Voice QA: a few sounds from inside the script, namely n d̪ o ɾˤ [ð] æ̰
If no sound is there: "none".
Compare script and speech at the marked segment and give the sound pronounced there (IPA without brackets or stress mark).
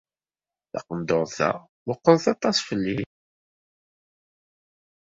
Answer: θ